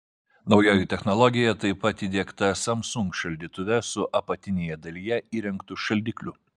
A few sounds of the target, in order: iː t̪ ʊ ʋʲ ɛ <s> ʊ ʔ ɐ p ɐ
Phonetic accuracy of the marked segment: correct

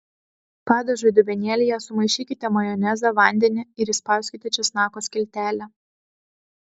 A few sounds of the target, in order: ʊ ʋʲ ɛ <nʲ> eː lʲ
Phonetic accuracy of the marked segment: correct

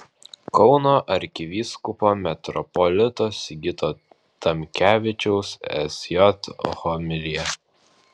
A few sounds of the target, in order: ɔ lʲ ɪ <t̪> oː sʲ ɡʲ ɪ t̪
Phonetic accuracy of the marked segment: correct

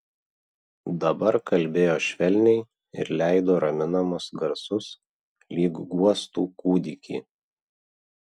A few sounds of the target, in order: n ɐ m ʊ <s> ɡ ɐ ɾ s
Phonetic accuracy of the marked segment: correct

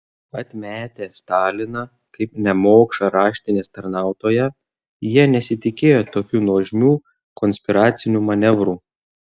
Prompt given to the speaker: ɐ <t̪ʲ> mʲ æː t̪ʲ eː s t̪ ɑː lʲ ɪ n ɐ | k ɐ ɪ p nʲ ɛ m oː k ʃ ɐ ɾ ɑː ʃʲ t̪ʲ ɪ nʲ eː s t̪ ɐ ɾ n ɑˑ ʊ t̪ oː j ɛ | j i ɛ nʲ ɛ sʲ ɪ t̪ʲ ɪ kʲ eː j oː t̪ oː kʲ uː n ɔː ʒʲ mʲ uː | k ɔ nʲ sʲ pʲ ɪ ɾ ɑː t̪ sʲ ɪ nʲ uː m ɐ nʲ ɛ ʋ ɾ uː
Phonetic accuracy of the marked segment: correct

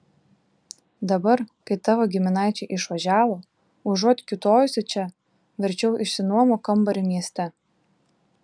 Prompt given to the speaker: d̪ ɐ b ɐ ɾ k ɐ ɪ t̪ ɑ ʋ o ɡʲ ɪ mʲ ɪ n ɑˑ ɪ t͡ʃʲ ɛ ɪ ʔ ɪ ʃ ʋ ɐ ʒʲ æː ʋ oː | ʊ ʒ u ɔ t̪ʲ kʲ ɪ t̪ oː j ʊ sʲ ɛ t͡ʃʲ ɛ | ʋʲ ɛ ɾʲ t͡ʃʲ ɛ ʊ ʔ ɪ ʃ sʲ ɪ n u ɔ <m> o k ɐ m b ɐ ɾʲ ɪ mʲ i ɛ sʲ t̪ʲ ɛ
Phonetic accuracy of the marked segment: correct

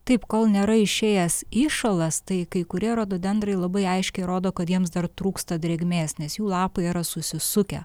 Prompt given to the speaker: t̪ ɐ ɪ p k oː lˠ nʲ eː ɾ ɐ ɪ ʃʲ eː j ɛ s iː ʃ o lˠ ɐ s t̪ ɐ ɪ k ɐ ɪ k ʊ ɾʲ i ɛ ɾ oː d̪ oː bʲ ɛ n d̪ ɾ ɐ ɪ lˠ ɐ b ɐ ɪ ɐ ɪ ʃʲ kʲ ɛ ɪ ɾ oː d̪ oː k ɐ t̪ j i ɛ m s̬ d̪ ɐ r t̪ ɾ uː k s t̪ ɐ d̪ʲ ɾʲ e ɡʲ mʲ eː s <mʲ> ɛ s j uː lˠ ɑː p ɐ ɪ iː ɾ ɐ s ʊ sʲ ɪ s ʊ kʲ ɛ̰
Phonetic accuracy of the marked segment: incorrect: nʲ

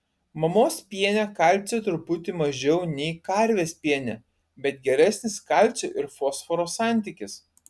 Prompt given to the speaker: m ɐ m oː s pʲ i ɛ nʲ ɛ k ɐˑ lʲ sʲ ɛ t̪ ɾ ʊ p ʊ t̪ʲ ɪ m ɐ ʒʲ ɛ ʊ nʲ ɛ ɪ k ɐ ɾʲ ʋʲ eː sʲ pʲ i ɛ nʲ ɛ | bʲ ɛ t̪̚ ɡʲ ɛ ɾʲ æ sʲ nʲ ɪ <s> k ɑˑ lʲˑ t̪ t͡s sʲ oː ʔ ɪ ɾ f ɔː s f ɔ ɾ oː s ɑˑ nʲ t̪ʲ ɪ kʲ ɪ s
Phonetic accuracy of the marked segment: correct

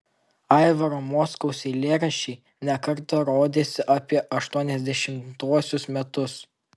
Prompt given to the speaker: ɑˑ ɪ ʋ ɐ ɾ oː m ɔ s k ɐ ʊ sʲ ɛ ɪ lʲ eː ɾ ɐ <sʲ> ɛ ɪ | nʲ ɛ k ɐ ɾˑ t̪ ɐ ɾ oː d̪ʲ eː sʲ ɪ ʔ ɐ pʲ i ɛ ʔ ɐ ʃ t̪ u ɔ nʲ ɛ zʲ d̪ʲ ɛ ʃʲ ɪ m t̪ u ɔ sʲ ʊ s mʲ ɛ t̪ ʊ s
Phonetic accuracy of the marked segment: incorrect: ʃʲ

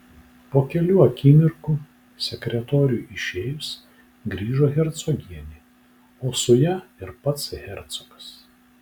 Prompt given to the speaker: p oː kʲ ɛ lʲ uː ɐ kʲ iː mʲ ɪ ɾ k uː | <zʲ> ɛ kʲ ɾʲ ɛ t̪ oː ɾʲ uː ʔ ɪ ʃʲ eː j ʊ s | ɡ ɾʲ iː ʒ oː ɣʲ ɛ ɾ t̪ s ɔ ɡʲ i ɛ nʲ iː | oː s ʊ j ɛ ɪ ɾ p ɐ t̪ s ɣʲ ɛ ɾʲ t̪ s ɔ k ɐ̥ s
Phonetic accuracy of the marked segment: incorrect: sʲ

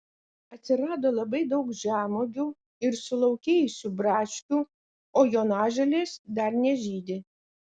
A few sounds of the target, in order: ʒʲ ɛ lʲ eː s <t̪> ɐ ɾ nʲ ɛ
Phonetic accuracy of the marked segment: incorrect: d̪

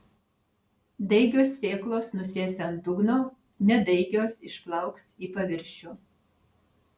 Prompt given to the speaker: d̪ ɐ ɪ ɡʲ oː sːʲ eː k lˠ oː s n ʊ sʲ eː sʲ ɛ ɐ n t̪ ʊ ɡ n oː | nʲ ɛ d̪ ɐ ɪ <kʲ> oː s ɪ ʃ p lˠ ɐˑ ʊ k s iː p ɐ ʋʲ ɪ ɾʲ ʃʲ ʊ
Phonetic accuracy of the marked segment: incorrect: ɡʲ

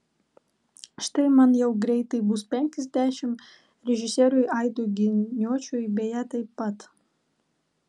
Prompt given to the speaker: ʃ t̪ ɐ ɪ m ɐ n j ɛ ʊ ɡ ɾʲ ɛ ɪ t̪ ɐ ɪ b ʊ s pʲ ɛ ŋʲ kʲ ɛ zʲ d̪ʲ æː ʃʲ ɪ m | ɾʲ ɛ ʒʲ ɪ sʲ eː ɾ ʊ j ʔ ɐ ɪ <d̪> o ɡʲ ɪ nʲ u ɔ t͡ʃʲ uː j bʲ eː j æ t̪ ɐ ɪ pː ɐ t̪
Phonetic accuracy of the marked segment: correct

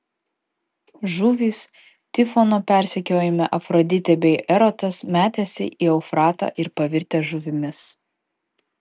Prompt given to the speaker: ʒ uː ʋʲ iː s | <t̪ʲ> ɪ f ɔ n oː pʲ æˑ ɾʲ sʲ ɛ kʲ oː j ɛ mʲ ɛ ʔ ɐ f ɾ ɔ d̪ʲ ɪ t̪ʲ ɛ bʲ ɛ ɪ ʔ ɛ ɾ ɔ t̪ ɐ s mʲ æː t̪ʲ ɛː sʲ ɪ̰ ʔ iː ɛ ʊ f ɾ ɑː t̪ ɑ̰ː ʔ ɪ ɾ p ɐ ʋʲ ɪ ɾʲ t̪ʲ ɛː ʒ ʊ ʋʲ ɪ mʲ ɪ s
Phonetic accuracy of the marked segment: correct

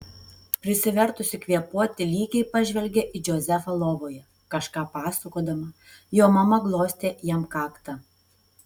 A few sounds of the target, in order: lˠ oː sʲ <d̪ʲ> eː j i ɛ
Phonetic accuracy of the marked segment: incorrect: t̪ʲ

